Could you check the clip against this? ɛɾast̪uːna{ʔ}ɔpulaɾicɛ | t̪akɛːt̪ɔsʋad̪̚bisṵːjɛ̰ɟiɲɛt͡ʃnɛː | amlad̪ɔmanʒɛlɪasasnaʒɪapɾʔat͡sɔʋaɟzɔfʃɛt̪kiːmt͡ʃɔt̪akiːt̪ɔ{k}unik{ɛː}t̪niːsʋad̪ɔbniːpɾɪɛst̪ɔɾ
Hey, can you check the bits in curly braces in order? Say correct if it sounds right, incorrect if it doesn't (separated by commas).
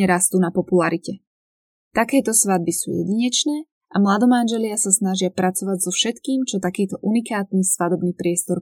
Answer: incorrect, incorrect, incorrect